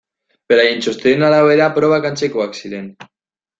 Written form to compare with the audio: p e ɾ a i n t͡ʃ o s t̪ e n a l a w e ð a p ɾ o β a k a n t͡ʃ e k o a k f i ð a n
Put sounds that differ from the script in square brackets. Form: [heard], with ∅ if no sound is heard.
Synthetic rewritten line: p e ɾ a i n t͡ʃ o s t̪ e n a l a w e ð a p ɾ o β a k a n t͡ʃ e k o a k [s] i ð [e] n